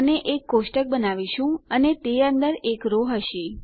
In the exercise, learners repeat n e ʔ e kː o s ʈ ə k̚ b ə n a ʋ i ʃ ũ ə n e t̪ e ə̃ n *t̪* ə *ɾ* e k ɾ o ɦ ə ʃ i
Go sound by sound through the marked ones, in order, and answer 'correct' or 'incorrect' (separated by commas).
incorrect, correct